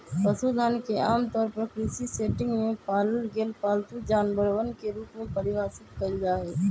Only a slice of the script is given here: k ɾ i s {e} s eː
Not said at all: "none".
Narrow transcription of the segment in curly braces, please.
i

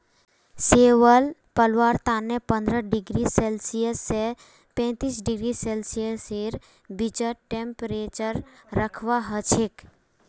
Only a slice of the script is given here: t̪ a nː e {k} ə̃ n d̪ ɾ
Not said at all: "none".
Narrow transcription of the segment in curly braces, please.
p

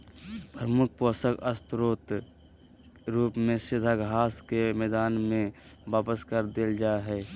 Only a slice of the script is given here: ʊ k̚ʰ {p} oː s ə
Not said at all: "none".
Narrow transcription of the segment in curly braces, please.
p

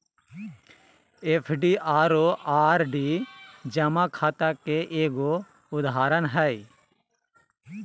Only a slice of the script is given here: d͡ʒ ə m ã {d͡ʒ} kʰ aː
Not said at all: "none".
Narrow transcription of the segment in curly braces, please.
none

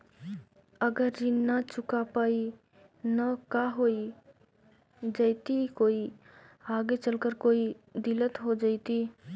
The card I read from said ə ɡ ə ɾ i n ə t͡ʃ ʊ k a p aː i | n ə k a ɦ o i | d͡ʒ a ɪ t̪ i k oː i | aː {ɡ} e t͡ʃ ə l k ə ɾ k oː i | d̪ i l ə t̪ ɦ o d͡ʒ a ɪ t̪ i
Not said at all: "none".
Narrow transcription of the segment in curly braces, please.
ɡ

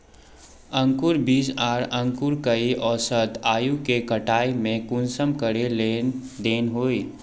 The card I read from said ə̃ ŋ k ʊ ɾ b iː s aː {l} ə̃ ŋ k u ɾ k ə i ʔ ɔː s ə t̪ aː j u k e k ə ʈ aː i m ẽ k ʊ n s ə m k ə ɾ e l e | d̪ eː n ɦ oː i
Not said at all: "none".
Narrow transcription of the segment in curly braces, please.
ɾ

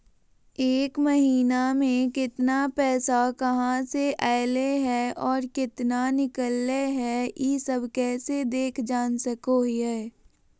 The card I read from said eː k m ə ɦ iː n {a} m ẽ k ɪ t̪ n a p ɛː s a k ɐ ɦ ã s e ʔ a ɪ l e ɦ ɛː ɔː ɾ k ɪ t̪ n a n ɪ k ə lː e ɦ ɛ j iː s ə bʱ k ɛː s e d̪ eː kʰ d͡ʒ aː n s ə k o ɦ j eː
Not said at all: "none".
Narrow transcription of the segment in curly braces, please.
a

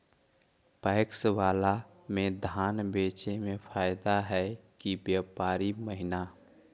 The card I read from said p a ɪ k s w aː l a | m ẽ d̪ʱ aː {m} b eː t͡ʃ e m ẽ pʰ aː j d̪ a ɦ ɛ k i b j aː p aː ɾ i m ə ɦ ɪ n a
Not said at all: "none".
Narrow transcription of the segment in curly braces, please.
n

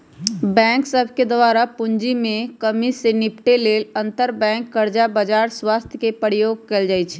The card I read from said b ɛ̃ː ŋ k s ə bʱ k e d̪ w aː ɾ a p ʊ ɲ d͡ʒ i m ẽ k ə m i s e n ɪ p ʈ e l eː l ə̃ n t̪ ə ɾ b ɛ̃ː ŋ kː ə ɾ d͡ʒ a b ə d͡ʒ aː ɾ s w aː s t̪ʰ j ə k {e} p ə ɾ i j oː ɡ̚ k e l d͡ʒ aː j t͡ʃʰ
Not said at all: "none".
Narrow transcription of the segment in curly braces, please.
e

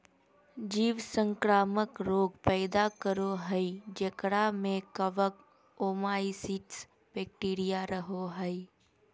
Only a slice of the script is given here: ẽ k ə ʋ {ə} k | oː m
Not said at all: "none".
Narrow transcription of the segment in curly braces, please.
ə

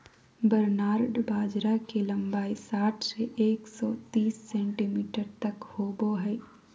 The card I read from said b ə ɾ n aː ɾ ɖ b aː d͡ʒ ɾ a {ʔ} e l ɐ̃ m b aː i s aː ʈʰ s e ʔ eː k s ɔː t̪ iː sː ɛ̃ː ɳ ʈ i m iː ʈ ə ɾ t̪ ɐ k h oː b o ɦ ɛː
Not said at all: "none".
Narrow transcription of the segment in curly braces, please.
k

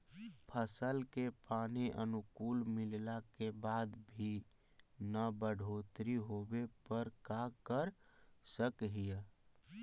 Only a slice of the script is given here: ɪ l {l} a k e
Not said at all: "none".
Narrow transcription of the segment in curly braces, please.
l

